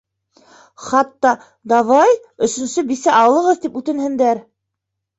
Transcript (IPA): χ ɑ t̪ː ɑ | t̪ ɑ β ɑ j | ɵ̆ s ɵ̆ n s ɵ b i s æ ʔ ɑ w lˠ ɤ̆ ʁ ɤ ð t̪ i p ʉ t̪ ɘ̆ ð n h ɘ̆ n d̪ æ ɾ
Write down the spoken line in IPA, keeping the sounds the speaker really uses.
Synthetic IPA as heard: χ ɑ t̪ː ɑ | d̪ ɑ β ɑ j | ɵ̆ s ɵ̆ n s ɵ b i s æ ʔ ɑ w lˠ ɤ̆ ʁ ɤ ð t̪ i p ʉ t̪ ɘ̆ n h ɘ̆ n d̪ æ ɾ